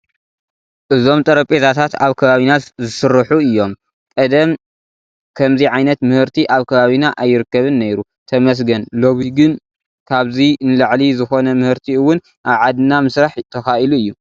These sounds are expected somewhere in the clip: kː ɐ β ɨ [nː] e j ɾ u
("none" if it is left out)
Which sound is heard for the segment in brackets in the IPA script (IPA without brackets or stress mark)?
nː